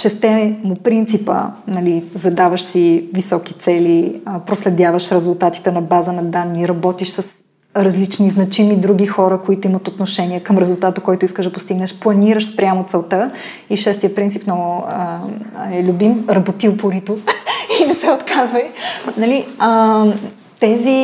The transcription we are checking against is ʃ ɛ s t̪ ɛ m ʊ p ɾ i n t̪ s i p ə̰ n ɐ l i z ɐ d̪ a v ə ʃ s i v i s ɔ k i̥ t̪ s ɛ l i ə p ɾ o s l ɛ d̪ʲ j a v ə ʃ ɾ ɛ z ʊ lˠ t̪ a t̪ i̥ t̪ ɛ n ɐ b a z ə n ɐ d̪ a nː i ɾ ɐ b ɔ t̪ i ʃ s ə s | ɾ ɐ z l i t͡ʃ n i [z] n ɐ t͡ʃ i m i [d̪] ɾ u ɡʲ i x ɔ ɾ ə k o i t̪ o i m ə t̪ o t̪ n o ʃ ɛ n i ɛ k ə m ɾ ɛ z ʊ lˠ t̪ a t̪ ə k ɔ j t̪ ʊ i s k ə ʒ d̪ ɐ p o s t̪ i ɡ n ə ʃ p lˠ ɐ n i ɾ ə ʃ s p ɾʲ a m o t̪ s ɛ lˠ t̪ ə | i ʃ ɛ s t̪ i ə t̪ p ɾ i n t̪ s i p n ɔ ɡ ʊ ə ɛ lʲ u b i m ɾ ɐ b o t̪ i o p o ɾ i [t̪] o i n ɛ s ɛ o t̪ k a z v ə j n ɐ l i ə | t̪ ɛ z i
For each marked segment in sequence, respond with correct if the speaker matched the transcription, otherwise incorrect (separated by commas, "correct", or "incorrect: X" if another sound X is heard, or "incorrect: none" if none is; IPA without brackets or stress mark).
correct, correct, correct